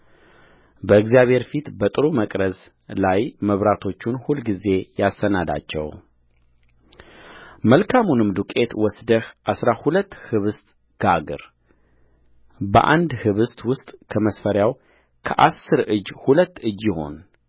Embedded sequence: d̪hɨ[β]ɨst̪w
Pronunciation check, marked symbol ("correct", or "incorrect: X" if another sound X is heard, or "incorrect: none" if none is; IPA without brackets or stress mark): correct